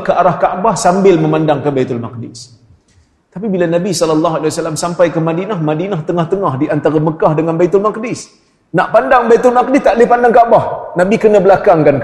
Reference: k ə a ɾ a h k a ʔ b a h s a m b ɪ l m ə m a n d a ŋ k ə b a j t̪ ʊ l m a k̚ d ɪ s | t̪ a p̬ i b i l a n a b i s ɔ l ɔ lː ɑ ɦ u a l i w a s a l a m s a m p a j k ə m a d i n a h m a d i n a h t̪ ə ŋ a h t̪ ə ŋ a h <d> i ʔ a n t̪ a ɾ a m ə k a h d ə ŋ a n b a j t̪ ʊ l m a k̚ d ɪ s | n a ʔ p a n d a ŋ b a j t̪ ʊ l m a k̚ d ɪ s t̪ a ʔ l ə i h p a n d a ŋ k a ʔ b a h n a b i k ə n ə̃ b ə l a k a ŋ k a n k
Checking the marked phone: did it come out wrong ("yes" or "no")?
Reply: no